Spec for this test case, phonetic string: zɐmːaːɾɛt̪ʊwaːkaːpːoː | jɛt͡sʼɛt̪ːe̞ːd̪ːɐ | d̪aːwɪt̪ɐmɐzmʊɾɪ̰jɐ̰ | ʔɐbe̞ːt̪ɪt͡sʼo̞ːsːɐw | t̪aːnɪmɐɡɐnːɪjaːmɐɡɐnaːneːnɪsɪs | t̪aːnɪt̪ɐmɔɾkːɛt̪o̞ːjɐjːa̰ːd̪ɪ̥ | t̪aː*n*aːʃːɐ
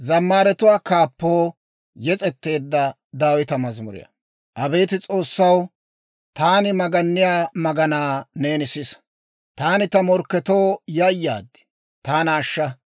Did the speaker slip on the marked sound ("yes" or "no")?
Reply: no